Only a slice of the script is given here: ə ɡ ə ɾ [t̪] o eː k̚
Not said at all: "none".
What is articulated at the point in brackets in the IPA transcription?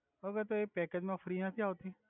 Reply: t̪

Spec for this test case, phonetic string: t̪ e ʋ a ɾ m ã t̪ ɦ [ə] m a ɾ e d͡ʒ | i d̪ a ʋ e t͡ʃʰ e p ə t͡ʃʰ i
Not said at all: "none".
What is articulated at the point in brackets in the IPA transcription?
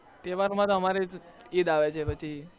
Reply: ə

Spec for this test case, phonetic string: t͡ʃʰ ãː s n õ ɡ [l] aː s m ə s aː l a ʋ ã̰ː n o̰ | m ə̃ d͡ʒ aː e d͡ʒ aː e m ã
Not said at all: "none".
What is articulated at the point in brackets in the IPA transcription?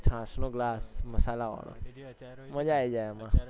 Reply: l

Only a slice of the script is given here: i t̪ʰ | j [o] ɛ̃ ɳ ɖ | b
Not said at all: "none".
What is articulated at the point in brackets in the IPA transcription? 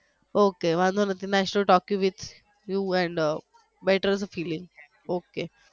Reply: u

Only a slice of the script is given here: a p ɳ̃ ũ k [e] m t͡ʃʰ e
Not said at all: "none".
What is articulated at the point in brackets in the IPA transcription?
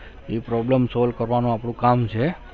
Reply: a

